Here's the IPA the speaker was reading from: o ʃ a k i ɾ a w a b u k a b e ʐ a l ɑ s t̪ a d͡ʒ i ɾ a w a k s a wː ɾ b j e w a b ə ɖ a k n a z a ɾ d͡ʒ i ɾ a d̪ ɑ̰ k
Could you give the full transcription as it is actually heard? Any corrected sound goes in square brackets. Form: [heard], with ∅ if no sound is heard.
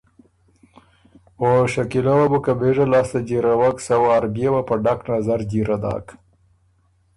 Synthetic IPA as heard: o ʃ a k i [l] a w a b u k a b e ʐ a l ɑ s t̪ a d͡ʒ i ɾ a w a k s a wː ɾ b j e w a [p] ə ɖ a k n a z a ɾ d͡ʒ i ɾ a d̪ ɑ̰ k

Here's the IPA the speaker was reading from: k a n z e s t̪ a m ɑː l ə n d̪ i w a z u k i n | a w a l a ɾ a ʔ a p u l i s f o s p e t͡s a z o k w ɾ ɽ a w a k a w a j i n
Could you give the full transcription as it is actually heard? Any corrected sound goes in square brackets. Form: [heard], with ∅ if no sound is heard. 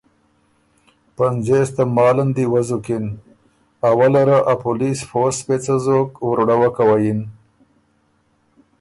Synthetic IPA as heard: [p] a n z e s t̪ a m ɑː l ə n d̪ i w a z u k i n | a w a l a ɾ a ʔ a p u l i s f o s p e t͡s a z o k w ɾ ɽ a w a k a w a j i n

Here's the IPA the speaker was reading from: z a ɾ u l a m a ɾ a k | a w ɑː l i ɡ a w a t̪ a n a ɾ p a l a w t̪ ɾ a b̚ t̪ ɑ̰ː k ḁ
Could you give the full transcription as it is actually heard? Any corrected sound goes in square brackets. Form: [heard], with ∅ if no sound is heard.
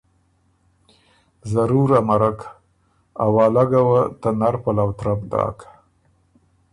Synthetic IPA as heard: z a ɾ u [ɾ] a m a ɾ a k | a w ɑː l [a] ɡ a w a t̪ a n a ɾ p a l a w t̪ ɾ a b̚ [d̪] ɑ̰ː k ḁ

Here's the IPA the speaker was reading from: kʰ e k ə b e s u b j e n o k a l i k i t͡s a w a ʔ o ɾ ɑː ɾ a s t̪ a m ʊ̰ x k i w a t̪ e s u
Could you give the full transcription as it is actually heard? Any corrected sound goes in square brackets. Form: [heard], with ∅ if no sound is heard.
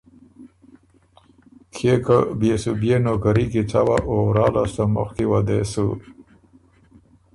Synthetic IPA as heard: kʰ e k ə b e s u b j e n o k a [ɾ] i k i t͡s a w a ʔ o ɾ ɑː [l] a s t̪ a m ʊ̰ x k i w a [d̪] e s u

